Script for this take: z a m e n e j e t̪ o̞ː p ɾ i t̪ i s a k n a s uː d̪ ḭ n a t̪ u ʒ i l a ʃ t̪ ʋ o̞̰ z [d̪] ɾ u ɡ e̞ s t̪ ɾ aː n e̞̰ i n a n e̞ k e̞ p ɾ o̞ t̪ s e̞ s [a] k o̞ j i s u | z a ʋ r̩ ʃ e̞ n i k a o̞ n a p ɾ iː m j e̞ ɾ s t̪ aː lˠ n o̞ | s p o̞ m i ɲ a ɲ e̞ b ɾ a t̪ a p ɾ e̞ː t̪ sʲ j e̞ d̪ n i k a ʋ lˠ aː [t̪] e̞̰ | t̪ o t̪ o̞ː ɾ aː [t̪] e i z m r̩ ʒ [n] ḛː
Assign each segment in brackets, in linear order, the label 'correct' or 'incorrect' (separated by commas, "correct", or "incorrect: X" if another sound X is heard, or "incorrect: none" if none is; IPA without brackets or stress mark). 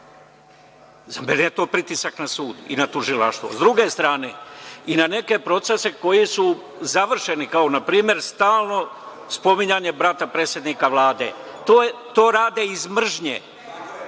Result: correct, incorrect: e, incorrect: d̪, incorrect: d̪, incorrect: ɲ